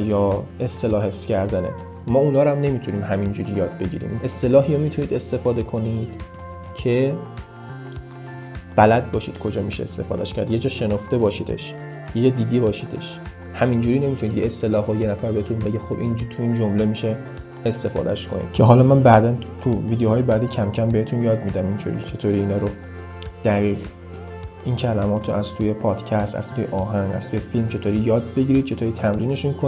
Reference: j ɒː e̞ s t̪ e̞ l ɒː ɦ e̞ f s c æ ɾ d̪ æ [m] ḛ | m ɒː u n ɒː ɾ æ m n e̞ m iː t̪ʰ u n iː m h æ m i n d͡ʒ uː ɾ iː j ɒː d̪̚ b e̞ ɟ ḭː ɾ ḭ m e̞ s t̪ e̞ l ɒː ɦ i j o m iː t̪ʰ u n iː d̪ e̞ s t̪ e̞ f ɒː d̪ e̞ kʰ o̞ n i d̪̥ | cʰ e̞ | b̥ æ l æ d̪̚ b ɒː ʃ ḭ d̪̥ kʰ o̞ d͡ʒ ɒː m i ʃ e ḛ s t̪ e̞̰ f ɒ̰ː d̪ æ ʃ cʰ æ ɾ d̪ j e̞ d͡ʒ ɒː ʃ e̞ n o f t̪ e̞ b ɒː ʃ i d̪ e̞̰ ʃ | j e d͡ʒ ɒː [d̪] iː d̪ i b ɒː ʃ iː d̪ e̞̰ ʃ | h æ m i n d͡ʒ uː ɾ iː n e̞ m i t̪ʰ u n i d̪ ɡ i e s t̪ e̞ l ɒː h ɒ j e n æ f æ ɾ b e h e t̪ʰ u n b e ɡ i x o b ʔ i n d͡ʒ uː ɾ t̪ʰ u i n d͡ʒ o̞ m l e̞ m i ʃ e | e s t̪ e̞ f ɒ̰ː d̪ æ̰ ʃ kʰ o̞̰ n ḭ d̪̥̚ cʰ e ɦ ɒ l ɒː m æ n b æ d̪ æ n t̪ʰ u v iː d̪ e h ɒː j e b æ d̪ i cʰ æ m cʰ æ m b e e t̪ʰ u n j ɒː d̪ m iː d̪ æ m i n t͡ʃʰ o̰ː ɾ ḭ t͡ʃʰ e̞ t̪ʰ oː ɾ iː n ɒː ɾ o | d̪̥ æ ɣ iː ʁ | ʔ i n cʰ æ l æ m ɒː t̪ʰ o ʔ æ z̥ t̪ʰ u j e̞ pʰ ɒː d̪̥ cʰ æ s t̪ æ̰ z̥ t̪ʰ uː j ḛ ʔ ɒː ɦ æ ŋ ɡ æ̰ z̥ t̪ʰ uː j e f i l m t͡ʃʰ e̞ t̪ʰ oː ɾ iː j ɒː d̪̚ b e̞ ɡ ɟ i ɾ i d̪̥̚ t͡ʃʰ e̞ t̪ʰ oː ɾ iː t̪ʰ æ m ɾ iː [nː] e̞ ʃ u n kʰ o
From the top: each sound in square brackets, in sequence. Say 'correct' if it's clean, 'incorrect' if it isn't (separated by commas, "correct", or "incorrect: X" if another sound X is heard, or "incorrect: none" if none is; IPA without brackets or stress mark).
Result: incorrect: n, correct, incorrect: n